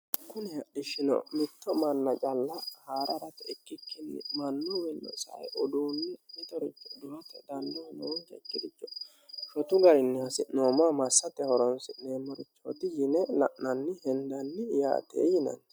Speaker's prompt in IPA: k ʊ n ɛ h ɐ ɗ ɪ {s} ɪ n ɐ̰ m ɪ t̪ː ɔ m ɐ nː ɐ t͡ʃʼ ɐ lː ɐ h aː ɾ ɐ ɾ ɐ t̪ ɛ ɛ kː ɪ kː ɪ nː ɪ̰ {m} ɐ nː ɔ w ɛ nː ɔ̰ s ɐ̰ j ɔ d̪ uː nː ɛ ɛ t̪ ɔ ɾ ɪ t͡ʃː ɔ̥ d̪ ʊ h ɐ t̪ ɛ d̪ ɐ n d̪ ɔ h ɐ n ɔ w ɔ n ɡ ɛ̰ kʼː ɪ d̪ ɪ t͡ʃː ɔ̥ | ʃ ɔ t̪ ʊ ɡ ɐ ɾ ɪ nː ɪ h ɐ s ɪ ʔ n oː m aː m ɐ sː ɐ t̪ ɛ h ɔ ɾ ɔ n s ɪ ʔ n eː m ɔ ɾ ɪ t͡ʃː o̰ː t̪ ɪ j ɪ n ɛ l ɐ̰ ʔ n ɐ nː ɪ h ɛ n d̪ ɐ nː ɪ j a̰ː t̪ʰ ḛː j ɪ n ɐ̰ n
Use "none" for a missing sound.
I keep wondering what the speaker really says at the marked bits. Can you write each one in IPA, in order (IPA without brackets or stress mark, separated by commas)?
ʃ, m